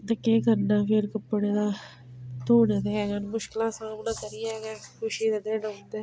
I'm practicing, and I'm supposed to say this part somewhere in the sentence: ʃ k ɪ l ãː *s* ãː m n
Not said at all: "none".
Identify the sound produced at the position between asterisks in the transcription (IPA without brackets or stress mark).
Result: s